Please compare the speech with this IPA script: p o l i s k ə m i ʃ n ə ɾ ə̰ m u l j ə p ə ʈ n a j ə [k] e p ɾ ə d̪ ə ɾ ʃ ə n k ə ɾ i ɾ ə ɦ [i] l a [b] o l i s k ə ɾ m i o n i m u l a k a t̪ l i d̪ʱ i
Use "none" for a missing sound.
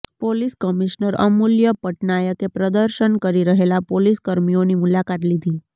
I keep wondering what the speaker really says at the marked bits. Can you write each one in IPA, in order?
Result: k, e, p

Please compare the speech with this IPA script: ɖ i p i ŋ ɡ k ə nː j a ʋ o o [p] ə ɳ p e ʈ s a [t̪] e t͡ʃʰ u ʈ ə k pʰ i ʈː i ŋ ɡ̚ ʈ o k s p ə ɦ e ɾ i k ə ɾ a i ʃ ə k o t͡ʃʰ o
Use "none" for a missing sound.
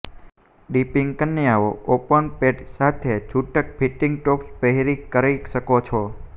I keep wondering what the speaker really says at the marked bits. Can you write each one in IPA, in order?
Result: p, t̪ʰ

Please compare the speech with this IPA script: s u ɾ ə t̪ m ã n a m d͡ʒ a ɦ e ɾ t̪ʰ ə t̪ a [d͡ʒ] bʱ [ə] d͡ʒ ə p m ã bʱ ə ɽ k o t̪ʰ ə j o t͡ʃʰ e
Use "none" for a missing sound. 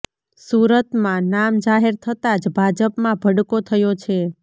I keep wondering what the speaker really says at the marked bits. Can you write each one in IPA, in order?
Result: d͡ʒ, a

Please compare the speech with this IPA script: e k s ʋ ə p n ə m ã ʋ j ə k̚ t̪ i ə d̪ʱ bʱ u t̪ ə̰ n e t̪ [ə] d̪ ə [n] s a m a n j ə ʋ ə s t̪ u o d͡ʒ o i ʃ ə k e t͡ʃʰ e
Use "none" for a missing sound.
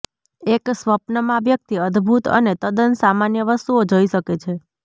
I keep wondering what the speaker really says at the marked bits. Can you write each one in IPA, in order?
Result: ə, n

